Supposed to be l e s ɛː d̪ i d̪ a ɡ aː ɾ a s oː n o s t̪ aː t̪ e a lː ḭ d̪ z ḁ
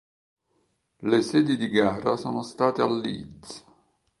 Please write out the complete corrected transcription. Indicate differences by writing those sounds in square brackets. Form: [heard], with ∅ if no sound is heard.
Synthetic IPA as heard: l e s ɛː d̪ i d̪ [i] ɡ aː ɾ a s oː n o s t̪ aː t̪ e a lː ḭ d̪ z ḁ